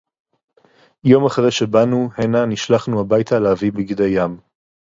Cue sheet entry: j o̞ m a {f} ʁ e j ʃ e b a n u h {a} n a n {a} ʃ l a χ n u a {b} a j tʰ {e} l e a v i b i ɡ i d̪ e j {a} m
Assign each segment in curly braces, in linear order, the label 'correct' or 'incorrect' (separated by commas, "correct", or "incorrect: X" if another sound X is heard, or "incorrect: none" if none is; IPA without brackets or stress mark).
incorrect: χ, incorrect: e, incorrect: i, correct, incorrect: a, correct